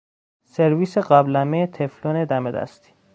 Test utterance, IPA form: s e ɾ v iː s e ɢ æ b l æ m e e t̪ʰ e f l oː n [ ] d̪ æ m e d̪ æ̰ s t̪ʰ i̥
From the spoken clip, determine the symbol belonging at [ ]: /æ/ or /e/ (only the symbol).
e